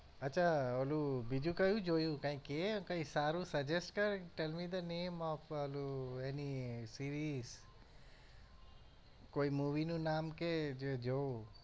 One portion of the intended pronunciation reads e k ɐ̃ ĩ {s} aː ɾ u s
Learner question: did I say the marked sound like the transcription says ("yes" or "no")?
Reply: yes